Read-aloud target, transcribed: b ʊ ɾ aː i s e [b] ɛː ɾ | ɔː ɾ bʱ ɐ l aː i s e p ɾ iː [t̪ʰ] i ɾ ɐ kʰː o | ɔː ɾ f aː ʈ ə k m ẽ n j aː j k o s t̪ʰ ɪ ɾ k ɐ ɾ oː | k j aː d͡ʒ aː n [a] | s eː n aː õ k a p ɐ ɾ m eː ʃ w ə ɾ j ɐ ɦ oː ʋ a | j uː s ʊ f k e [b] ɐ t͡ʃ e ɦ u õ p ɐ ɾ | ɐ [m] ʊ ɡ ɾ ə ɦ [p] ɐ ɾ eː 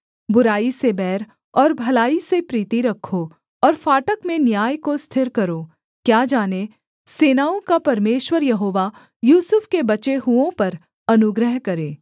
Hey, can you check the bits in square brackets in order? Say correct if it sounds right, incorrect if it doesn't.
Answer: correct, incorrect: t̪, incorrect: e, correct, incorrect: n, incorrect: k

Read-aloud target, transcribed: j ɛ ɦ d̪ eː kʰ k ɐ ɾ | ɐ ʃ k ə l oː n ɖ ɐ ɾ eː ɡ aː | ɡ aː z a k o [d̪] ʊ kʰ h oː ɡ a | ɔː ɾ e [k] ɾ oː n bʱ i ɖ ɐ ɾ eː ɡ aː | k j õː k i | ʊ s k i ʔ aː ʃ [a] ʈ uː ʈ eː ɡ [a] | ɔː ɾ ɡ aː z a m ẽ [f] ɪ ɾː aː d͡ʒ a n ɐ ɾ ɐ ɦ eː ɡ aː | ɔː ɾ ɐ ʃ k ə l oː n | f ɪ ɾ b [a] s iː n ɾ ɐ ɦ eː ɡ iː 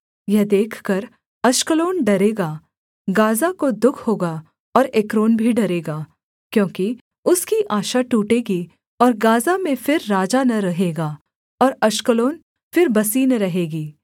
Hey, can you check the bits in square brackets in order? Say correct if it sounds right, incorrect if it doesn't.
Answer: correct, correct, correct, incorrect: i, correct, incorrect: ɐ

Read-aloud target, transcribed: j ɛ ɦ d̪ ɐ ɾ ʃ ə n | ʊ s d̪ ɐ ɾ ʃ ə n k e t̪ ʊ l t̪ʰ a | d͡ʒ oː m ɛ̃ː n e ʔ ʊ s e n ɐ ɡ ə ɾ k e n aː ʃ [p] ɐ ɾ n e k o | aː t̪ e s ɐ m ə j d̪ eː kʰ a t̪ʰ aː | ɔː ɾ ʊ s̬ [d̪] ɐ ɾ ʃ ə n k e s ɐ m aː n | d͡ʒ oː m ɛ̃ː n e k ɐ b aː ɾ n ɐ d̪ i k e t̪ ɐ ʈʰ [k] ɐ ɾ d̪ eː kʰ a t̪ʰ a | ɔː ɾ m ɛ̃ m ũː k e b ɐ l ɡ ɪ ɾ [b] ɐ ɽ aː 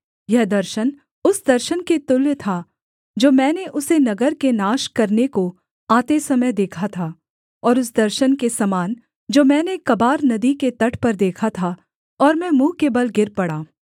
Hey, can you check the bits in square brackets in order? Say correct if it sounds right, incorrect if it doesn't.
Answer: incorrect: k, correct, incorrect: p, incorrect: p

